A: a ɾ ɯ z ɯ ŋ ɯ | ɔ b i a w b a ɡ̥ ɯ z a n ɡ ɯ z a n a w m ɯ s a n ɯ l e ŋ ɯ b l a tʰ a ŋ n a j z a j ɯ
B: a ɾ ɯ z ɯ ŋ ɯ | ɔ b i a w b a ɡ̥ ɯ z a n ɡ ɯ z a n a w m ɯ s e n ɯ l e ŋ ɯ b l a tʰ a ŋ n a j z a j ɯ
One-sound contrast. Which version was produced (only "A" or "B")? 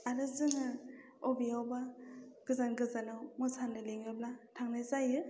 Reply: A